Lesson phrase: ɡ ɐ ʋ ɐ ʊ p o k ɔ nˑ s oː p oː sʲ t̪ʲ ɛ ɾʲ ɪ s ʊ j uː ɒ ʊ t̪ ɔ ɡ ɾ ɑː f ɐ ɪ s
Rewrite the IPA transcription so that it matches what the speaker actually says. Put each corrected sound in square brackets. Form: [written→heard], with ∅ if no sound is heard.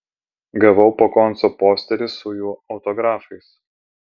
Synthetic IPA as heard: ɡ ɐ ʋ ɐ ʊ p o k ɔ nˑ s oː p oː sʲ t̪ʲ ɛ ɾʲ ɪ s ʊ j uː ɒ ʊ t̪ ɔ ɡ ɾ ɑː f ɐ ɪ s

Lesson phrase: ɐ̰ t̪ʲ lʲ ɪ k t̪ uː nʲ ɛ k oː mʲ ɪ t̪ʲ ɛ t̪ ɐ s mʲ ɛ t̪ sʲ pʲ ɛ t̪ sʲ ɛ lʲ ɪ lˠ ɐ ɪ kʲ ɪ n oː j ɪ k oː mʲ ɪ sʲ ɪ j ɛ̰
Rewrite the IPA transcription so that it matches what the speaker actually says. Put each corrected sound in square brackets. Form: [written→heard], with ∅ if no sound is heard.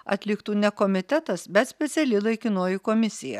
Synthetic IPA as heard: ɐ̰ t̪ʲ lʲ ɪ k t̪ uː nʲ ɛ k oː mʲ ɪ t̪ʲ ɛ t̪ ɐ s [mʲ→bʲ] ɛ t̪ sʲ pʲ ɛ t̪ sʲ ɛ lʲ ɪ lˠ ɐ ɪ kʲ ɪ n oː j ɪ k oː mʲ ɪ sʲ ɪ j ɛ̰

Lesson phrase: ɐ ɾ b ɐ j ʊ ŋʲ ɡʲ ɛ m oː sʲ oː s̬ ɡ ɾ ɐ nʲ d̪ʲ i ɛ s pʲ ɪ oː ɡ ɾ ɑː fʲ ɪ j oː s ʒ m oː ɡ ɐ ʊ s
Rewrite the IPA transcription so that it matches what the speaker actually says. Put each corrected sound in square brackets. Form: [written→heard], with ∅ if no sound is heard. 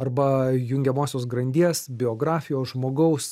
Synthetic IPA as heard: ɐ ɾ b ɐ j ʊ ŋʲ ɡʲ ɛ m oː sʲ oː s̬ ɡ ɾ ɐ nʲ d̪ʲ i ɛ s [pʲ→bʲ] ɪ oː ɡ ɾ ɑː fʲ ɪ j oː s ʒ m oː ɡ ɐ ʊ s

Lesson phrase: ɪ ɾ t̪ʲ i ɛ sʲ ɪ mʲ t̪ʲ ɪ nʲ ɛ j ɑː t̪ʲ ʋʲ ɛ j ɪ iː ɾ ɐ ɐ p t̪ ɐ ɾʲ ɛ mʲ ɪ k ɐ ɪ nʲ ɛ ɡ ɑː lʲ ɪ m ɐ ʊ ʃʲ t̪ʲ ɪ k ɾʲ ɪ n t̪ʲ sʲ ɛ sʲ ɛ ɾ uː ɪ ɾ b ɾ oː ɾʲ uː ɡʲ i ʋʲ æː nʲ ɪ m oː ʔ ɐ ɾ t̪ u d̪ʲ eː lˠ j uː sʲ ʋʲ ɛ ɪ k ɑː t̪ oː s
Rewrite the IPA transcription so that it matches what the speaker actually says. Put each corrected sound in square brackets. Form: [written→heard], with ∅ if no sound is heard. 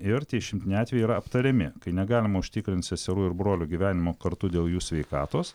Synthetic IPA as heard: ɪ ɾ t̪ʲ i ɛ [sʲ→ʃʲ] ɪ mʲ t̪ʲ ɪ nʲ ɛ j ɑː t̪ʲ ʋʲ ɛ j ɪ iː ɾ ɐ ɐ p t̪ ɐ ɾʲ ɛ mʲ ɪ k ɐ ɪ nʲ ɛ ɡ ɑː lʲ ɪ m ɐ ʊ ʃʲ t̪ʲ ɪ k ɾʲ ɪ n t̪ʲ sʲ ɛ sʲ ɛ ɾ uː ɪ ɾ b ɾ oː [ɾʲ→lʲ] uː ɡʲ i ʋʲ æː nʲ ɪ m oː [ʔ→k] ɐ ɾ t̪ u d̪ʲ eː lˠ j uː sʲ ʋʲ ɛ ɪ k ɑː t̪ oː s

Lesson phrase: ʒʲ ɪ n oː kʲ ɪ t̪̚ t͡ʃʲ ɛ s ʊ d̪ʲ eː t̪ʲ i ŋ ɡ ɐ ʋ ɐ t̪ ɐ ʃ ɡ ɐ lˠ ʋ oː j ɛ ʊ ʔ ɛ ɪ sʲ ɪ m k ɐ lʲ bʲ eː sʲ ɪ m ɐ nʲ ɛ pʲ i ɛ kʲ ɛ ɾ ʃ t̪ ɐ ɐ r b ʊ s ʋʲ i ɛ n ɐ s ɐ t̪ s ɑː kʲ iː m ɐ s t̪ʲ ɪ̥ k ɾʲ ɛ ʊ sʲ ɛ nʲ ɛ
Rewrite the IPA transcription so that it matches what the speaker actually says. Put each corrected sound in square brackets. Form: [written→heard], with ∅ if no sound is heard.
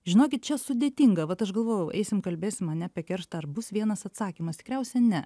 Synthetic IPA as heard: ʒʲ ɪ n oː kʲ ɪ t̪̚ t͡ʃʲ ɛ s ʊ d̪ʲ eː t̪ʲ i ŋ ɡ ɐ ʋ ɐ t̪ ɐ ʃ ɡ ɐ lˠ ʋ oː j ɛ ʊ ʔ ɛ ɪ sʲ ɪ m k ɐ lʲ bʲ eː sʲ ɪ m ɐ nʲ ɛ pʲ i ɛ kʲ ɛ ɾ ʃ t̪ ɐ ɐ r b ʊ s ʋʲ i ɛ n ɐ s ɐ t̪ s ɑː kʲ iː m ɐ s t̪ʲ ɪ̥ k ɾʲ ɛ ʊ sʲ ɛ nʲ ɛ

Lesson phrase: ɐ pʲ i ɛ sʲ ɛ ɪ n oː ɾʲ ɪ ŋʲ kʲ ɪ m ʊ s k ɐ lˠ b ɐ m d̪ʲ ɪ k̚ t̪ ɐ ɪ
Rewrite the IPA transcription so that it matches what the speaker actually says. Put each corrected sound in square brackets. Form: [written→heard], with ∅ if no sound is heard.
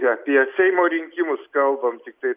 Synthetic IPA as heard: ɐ pʲ i ɛ sʲ ɛ ɪ [n→m] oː ɾʲ ɪ ŋʲ kʲ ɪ m ʊ s k ɐ lˠ b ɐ m [d̪ʲ→t̪ʲ] ɪ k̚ t̪ ɐ ɪ

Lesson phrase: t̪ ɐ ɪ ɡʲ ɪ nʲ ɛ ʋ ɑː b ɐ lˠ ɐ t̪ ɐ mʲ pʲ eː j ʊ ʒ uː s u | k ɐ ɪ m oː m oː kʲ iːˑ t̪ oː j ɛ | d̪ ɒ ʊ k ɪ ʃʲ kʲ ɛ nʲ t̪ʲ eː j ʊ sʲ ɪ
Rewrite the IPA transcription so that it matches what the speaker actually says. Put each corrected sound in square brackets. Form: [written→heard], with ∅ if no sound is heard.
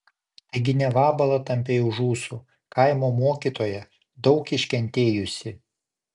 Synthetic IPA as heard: t̪ ɐ ɪ ɡʲ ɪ nʲ ɛ ʋ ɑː b ɐ lˠ ɐ t̪ ɐ mʲ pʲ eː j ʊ ʒ uː s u | k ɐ ɪ m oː m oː kʲ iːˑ t̪ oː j ɛ | d̪ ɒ ʊ k ɪ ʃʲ kʲ ɛ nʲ t̪ʲ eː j ʊ sʲ ɪ

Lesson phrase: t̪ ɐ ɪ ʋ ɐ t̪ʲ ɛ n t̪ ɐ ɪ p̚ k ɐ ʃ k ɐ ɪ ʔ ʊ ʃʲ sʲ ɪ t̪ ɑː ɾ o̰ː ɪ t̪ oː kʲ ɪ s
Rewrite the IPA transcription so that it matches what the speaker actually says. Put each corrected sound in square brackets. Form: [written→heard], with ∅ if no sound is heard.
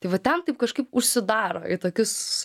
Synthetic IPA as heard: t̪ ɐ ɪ ʋ ɐ t̪ʲ ɛ n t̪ ɐ ɪ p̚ k ɐ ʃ k ɐ ɪ [ʔ→p] ʊ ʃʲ sʲ ɪ [t̪→d̪] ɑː ɾ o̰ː ɪ t̪ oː kʲ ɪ s

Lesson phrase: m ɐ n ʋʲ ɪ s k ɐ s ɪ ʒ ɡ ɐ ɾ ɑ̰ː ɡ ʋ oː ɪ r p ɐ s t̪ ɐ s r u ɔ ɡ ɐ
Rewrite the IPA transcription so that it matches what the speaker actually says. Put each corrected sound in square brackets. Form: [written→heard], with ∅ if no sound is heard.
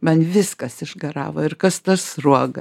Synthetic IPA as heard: m ɐ n ʋʲ ɪ s k ɐ s ɪ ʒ ɡ ɐ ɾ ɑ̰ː [ɡ→∅] ʋ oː ɪ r [p→k] ɐ s t̪ ɐ s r u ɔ ɡ ɐ

